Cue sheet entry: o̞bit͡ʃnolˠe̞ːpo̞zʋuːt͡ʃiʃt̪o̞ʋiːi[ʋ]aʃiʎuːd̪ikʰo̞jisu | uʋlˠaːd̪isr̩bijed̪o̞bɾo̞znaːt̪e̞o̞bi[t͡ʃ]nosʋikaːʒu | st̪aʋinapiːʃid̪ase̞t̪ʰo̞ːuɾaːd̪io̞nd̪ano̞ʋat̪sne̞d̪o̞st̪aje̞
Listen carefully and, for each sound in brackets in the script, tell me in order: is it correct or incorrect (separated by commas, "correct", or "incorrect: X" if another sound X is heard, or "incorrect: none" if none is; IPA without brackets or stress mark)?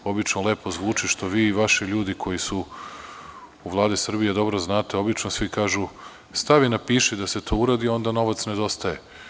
correct, correct